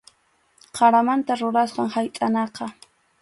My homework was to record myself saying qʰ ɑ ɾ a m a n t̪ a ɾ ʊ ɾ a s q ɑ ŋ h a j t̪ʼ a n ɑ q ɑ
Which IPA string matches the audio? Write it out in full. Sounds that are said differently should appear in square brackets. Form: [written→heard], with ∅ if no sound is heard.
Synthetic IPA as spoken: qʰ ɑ ɾ a m a n t̪ a ɾ ʊ ɾ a s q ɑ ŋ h a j t̪ʼ a n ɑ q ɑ